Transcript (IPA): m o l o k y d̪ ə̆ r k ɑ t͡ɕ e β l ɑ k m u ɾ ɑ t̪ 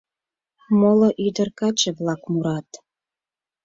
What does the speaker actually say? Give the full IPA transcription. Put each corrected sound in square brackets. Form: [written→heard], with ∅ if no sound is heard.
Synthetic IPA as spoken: m o l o [k→ʔ] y d̪ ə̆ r k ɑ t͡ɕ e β l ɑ k m u ɾ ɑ t̪